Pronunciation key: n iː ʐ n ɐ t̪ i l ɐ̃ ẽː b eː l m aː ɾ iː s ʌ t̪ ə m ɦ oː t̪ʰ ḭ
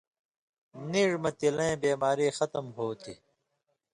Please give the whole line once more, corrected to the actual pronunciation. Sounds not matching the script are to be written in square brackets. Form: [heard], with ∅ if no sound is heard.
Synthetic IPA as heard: n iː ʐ [m] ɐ t̪ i l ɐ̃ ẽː b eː [∅] m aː ɾ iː [x] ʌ t̪ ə m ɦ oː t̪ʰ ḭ